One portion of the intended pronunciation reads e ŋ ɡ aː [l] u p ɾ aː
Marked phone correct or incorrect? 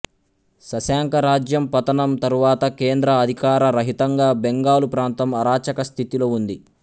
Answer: correct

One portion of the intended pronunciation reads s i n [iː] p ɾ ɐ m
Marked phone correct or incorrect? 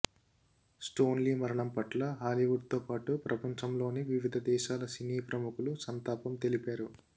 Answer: correct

